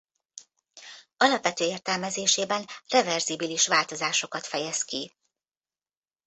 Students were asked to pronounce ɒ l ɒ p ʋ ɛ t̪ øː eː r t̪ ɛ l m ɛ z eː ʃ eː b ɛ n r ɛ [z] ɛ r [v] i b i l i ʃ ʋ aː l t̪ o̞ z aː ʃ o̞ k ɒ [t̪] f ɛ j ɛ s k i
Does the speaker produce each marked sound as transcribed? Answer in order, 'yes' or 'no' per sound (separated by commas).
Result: no, no, yes